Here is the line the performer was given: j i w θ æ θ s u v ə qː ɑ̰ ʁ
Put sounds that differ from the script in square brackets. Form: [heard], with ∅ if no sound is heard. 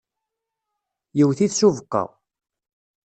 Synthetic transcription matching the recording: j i w θ [i] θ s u v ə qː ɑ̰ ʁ

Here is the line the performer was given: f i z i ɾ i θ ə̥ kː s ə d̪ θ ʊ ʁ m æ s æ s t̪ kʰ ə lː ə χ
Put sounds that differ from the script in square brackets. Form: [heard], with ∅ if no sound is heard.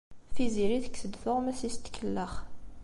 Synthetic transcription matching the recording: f i z i ɾ i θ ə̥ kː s ə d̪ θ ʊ ʁ m æ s [i] s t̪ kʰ ə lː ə χ

